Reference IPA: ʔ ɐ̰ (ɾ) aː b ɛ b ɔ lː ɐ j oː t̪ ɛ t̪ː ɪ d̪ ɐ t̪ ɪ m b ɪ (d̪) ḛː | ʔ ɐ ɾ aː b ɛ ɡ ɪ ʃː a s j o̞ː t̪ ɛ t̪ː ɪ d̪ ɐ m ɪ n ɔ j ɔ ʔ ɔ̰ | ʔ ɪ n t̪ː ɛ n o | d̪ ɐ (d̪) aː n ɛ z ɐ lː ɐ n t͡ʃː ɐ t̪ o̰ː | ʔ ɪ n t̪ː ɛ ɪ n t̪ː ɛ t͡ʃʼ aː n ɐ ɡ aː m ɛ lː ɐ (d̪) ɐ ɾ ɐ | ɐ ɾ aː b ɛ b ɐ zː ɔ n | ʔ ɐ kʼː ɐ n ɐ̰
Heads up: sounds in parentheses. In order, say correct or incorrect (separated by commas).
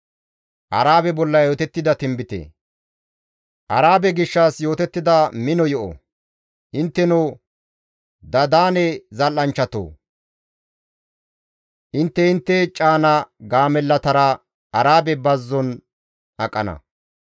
correct, incorrect, correct, incorrect